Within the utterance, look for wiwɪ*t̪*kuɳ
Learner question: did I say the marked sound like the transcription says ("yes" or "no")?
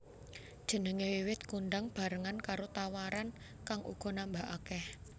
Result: yes